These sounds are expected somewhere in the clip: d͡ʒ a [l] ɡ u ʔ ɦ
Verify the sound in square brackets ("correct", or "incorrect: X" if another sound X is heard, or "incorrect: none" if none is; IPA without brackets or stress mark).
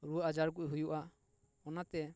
incorrect: ɾ